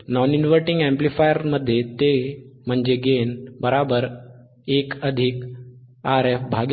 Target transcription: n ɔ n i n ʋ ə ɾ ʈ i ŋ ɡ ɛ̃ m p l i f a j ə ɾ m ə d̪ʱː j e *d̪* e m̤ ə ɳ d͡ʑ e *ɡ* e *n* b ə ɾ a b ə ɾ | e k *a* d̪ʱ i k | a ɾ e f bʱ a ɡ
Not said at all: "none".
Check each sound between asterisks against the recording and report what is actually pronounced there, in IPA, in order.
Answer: t̪, ɡ, n, ə

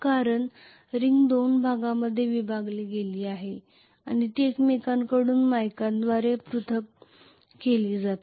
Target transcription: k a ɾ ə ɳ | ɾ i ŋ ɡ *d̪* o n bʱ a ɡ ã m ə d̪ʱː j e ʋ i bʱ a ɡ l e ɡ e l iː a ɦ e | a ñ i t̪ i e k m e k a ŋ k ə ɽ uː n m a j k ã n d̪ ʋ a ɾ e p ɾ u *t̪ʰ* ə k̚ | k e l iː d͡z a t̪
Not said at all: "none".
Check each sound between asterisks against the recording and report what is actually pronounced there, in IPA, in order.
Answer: d̪, t̪ʰ

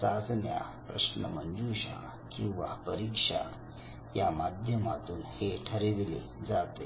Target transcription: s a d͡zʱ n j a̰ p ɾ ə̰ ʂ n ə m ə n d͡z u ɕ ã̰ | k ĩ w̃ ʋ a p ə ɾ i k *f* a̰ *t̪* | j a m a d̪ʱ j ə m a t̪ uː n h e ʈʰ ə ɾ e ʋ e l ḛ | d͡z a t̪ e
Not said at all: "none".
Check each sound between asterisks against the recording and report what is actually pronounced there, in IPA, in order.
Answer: ʂ, none

